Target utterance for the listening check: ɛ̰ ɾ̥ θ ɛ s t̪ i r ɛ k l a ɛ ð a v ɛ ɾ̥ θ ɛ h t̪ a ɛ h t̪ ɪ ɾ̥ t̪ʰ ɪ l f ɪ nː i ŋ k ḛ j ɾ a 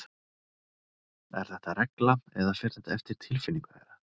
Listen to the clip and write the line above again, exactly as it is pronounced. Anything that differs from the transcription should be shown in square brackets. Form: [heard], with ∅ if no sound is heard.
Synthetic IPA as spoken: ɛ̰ ɾ̥ θ ɛ [h] t̪ [a] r ɛ k l a ɛ ð a [f] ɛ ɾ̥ θ ɛ h t̪ a ɛ [f] t̪ ɪ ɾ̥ t̪ʰ ɪ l f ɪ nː i ŋ k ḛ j ɾ a